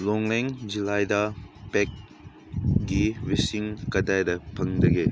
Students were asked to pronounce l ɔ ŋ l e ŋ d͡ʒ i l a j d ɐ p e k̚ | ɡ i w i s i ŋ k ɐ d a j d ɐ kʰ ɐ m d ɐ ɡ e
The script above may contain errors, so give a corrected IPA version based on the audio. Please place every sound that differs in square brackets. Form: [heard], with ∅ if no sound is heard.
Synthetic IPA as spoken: l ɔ ŋ l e ŋ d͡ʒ i l a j d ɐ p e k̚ | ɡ i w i s i ŋ k ɐ d a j d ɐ [pʰ] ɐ [ŋ] d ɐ ɡ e